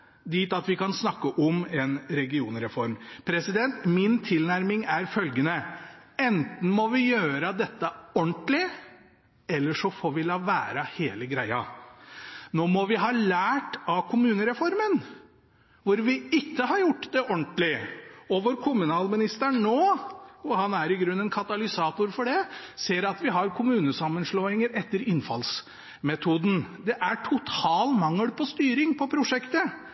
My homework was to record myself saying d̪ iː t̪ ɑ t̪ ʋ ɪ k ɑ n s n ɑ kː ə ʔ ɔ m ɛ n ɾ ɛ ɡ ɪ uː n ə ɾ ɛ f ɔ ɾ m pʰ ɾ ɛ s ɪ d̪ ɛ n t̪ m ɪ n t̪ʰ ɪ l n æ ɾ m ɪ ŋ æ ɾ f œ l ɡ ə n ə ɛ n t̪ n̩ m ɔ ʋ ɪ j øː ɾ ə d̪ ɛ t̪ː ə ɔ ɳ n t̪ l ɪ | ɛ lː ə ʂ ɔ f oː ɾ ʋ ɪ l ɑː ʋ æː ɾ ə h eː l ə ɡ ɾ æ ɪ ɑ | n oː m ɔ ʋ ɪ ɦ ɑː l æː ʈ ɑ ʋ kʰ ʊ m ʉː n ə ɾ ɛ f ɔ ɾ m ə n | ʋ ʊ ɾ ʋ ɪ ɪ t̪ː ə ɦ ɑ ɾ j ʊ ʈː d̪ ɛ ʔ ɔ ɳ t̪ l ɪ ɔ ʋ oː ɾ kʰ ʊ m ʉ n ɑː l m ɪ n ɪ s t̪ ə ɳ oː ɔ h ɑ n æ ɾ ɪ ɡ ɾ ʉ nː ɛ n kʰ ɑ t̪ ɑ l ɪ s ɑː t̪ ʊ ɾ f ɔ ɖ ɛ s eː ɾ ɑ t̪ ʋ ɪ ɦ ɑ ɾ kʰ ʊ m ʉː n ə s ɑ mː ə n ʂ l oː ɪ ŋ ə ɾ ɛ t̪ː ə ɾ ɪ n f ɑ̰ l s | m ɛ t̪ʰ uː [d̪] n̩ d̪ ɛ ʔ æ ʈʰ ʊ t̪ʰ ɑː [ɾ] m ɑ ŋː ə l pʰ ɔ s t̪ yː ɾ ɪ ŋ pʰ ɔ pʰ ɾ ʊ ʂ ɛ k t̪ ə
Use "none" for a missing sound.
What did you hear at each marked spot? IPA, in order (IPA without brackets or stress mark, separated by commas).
d̪, l